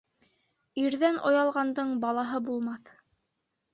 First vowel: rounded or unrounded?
unrounded